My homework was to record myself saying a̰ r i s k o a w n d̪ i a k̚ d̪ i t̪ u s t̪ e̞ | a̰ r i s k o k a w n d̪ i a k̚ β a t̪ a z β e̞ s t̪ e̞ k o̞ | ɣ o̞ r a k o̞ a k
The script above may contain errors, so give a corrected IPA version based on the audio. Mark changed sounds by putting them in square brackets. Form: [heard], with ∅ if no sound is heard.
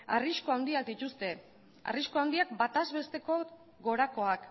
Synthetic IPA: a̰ r i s k o a w n d̪ i a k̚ d̪ i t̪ u s t̪ e̞ | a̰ r i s k o [∅] a w n d̪ i a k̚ [b] a t̪ a z β e̞ s t̪ e̞ k o̞ | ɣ o̞ [ɾ] a k o̞ a k

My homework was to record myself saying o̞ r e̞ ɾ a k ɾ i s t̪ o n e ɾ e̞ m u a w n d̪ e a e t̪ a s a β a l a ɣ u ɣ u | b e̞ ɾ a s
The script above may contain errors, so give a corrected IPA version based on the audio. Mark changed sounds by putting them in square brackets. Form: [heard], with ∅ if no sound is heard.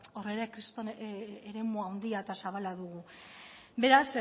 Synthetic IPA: o̞ r e̞ ɾ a k ɾ i s t̪ o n e ɾ e̞ m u a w n d̪ [i] a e t̪ a s a β a l a [ð] u ɣ u | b e̞ ɾ a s

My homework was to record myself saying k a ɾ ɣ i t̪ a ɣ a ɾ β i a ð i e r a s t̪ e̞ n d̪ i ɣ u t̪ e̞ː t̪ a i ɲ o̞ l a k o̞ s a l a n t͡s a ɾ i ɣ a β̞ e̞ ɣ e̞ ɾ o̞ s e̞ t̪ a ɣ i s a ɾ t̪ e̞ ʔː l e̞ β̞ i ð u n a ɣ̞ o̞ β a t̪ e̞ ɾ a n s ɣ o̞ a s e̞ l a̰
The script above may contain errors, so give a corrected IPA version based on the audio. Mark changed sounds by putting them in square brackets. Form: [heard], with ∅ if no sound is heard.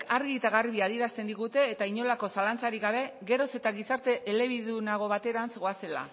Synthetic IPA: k a ɾ ɣ i t̪ a ɣ a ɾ β i a ð i e [ɾ] a s t̪ e̞ n d̪ i ɣ u t̪ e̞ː t̪ a i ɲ o̞ l a k o̞ s a l a n t͡s a ɾ i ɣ a β̞ e̞ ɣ e̞ ɾ o̞ s e̞ t̪ a ɣ i s a ɾ t̪ e̞ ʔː l e̞ β̞ i ð u n a ɣ̞ o̞ β a t̪ e̞ ɾ a n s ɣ o̞ a s e̞ l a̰

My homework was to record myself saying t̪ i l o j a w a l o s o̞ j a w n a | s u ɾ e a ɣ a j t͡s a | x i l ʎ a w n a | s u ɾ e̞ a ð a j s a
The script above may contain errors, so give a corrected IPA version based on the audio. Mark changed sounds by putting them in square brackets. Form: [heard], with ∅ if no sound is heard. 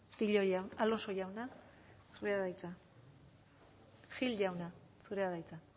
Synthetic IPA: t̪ i [ʎ] o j a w a l o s o̞ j a w n a | s u ɾ e a [ð] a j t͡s a | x i l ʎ a w n a | s u ɾ e̞ a ð a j [t͡s] a

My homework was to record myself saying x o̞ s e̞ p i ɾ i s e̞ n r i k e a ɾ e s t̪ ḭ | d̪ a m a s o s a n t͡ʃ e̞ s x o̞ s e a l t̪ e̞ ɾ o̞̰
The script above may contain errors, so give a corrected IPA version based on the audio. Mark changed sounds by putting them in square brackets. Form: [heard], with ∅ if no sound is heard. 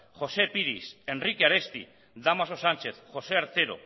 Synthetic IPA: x o̞ s e̞ p i ɾ i s e̞ n r i k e a ɾ e s t̪ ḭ | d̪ a m a s o s a n t͡ʃ e̞ [θ] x o̞ s e a [ɾ] t̪ e̞ ɾ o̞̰

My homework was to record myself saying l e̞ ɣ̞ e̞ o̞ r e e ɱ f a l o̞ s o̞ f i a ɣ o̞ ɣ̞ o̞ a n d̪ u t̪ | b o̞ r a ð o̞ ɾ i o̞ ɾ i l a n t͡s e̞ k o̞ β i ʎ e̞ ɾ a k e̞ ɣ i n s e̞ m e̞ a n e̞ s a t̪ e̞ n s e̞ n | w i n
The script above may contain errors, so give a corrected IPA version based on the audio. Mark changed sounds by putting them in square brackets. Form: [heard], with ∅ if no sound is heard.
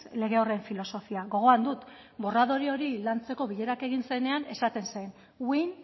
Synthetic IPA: l e̞ ɣ̞ e̞ o̞ r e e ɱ f [i] l o̞ s o̞ f i a ɣ o̞ ɣ̞ o̞ a n d̪ u t̪ | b o̞ r a ð o̞ ɾ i o̞ ɾ i l a n t͡s e̞ k o̞ β i ʎ e̞ ɾ a k e̞ ɣ i n s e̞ [n] e̞ a n e̞ s a t̪ e̞ n s e̞ n | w i n

